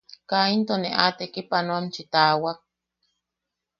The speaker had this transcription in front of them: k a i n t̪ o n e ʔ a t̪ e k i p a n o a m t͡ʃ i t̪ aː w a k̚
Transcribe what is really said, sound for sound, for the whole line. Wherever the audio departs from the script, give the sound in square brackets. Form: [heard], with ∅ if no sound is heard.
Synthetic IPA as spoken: k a i n t̪ o n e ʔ a t̪ e k i p a n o a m t͡ʃ i t̪ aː w a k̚